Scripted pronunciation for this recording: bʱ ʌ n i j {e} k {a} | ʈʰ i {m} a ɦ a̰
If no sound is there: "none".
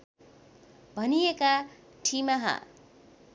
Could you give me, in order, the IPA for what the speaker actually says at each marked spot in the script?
e, a, m

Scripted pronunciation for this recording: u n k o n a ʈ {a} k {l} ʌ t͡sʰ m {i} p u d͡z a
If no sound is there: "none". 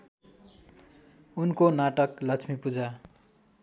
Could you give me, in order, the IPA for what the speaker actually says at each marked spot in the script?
ʌ, l, i

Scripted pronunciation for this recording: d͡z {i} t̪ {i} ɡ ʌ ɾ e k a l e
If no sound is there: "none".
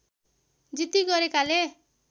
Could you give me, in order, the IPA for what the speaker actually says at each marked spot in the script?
i, i

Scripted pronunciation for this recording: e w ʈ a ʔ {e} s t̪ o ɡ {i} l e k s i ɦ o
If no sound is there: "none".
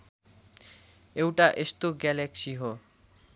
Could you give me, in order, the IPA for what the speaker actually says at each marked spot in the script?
e, ɛ

